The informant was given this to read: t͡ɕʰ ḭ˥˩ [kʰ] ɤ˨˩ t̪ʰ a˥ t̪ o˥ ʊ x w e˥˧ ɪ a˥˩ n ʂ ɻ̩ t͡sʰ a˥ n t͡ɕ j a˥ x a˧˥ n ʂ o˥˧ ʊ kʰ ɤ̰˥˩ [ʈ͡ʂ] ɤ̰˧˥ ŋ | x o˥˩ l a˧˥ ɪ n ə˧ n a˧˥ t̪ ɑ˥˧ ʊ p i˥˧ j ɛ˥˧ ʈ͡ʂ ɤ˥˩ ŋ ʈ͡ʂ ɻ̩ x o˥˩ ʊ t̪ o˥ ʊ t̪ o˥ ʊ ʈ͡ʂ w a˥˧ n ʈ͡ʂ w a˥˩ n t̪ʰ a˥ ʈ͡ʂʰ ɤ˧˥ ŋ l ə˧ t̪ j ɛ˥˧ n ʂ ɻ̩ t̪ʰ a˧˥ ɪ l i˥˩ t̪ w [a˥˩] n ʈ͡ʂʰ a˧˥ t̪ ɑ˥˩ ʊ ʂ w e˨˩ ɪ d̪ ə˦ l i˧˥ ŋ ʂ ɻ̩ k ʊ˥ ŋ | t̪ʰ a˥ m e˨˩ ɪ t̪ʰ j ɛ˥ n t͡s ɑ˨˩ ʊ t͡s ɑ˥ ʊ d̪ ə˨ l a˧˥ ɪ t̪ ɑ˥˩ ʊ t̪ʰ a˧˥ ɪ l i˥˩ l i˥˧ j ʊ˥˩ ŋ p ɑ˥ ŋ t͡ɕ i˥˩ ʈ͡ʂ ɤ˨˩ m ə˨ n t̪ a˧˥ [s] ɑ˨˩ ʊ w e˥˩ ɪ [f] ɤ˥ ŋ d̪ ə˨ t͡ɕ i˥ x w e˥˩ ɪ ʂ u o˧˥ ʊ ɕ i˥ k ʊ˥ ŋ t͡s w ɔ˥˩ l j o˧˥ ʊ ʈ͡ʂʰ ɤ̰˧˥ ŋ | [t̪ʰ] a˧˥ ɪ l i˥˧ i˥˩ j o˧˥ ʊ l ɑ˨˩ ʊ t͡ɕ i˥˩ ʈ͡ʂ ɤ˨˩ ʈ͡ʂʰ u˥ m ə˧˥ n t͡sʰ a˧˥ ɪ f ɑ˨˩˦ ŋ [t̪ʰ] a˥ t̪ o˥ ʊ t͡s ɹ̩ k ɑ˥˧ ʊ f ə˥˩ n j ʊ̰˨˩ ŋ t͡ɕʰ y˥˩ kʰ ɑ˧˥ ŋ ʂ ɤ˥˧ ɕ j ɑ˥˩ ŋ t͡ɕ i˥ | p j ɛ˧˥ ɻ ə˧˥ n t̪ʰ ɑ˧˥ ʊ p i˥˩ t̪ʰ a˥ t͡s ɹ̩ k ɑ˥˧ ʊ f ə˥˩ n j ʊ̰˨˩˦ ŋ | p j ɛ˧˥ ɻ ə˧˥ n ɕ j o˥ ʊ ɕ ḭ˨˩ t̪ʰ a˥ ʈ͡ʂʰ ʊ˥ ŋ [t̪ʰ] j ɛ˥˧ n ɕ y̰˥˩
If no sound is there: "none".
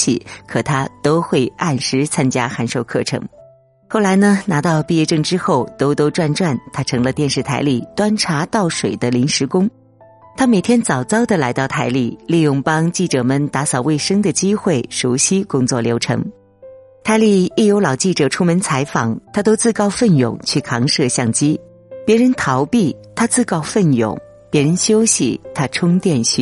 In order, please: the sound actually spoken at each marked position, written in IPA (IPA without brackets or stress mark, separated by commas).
kʰ, ʈ͡ʂʰ, a˥, s, ʂ, t̪ʰ, t̪ʰ, t̪